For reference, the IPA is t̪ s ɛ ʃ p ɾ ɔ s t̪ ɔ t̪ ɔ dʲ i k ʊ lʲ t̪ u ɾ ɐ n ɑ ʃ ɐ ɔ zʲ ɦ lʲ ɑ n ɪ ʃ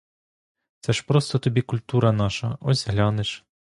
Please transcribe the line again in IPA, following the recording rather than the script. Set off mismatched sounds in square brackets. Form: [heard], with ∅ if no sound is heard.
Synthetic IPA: t̪ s ɛ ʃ p ɾ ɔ s t̪ ɔ t̪ ɔ [bʲ] i k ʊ lʲ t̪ u ɾ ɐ n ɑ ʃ ɐ ɔ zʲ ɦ lʲ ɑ n ɪ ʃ

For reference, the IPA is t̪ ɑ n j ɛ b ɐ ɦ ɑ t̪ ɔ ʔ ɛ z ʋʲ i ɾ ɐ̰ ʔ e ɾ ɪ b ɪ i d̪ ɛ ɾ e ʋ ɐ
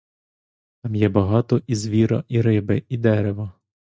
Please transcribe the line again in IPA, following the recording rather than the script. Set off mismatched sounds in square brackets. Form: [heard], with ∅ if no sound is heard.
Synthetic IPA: t̪ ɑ [m] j ɛ b ɐ ɦ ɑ t̪ ɔ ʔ [i] z ʋʲ i ɾ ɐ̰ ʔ [i] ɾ ɪ b ɪ i d̪ ɛ ɾ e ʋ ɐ

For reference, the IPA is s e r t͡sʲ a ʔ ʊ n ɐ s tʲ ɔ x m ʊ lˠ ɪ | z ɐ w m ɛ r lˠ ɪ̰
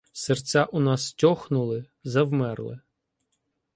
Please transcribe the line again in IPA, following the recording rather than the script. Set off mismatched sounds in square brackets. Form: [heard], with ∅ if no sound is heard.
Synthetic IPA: s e r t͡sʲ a ʔ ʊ n [ɑ] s tʲ ɔ x [n] ʊ lˠ ɪ | z ɐ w m ɛ r lˠ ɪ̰

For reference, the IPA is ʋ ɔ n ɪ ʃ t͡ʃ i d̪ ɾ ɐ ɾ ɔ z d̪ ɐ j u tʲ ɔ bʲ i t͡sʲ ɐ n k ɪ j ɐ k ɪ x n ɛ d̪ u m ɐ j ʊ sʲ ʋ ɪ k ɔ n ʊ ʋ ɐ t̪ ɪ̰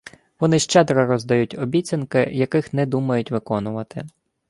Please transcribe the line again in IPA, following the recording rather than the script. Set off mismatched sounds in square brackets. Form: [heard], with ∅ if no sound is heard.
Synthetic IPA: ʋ ɔ n ɪ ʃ t͡ʃ [ɛ] d̪ ɾ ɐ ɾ ɔ z d̪ ɐ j u tʲ ɔ bʲ i t͡sʲ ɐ n k ɪ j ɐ k ɪ x n ɛ d̪ u m ɐ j ʊ [tʲ] ʋ ɪ k ɔ n ʊ ʋ ɐ t̪ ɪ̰

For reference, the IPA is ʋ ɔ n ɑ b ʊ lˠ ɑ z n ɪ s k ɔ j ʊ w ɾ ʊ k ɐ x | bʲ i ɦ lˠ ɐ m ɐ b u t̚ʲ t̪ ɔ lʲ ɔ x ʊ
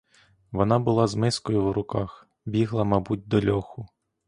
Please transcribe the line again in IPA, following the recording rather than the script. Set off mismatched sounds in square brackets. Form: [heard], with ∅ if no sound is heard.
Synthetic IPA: ʋ ɔ n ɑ b ʊ lˠ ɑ z [m] ɪ s k ɔ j ʊ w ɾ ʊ k [ɑ] x | bʲ i ɦ lˠ ɐ m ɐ b u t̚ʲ [d̪] ɔ lʲ ɔ x ʊ

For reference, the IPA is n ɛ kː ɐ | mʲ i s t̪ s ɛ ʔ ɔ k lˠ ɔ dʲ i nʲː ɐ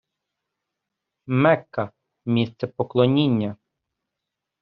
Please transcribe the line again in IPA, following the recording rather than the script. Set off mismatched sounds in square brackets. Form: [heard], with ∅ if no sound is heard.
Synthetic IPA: [m] ɛ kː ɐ | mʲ i s t̪ s ɛ [p] ɔ k lˠ ɔ [nʲ] i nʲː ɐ

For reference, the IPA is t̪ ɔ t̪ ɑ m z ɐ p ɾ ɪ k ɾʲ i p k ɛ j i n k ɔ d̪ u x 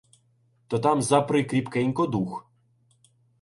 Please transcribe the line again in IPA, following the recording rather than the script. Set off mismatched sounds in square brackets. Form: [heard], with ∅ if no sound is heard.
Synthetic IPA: t̪ ɔ t̪ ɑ m z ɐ p ɾ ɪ k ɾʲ i p k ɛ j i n k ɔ d̪ u x

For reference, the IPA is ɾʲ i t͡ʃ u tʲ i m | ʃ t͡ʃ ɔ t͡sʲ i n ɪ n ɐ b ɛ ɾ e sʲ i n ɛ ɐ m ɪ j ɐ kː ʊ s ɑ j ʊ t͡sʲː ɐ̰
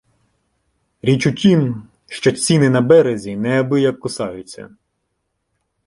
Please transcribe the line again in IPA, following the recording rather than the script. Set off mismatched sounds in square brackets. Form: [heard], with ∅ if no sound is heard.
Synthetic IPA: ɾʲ i t͡ʃ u tʲ i m | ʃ t͡ʃ ɔ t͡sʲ i n ɪ n ɐ b ɛ ɾ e [zʲ] i n ɛ ɐ [b] ɪ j ɐ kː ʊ s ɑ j ʊ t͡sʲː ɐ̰

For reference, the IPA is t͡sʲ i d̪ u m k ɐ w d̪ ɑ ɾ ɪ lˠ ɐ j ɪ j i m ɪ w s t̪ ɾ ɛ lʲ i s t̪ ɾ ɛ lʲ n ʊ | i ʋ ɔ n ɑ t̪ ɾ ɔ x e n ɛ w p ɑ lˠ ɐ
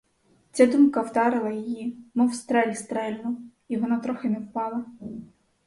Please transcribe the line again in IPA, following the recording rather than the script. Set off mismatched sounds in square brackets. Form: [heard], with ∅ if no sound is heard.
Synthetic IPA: t͡sʲ [a] d̪ u m k ɐ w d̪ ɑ ɾ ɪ lˠ ɐ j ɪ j i m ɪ w s t̪ ɾ ɛ lʲ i s t̪ ɾ ɛ lʲ n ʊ | i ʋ ɔ n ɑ t̪ ɾ ɔ x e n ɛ w p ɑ lˠ ɐ

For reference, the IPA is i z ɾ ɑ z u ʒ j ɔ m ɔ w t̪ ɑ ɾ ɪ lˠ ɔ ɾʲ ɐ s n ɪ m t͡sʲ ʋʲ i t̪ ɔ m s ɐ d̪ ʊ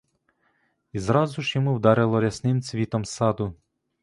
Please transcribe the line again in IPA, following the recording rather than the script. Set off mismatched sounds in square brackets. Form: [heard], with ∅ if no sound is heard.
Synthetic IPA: i z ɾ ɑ z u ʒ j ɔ m [u] w [d̪] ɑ ɾ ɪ lˠ ɔ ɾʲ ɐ s n ɪ m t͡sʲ ʋʲ i t̪ ɔ m s [ɑ] d̪ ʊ

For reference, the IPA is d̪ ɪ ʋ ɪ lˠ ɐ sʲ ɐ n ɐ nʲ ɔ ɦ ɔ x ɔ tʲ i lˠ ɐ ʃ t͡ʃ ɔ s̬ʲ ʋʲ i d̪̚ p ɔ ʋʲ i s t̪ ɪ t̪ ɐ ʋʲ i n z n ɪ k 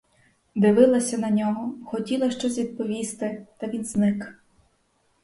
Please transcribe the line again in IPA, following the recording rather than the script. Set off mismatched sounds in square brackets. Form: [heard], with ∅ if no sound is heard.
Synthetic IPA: d̪ ɪ ʋ ɪ lˠ ɐ sʲ ɐ n ɐ nʲ ɔ ɦ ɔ x ɔ tʲ i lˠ ɐ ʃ t͡ʃ ɔ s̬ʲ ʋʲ i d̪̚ p ɔ ʋʲ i s t̪ ɪ t̪ ɐ ʋʲ i n z n ɪ k

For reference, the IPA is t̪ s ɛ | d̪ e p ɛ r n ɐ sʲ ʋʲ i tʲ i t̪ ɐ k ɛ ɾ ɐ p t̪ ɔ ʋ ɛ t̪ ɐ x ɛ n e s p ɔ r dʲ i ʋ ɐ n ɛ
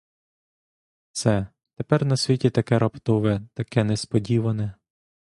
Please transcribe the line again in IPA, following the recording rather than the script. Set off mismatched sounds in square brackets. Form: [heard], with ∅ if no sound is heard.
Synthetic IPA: t̪ s ɛ | [t̪] e p ɛ r n ɐ sʲ ʋʲ i tʲ i t̪ ɐ k ɛ ɾ ɐ p t̪ ɔ ʋ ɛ t̪ ɐ [k] ɛ n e s p ɔ [∅] dʲ i ʋ ɐ n ɛ

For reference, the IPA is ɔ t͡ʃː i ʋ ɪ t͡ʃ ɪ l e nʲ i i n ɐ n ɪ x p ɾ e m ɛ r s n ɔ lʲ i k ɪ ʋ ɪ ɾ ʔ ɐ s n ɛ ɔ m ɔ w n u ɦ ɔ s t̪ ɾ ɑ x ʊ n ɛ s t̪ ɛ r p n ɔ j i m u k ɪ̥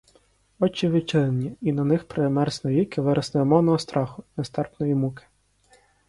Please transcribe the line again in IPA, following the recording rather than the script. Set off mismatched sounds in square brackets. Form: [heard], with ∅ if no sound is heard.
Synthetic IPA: ɔ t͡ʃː i ʋ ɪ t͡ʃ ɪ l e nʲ i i n ɐ n ɪ x p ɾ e m ɛ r s n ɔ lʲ i k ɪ ʋ ɪ ɾ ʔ ɐ s n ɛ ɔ m ɔ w n [ɔ] ɦ ɔ s t̪ ɾ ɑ x ʊ n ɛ s t̪ ɛ r p n ɔ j i m u k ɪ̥

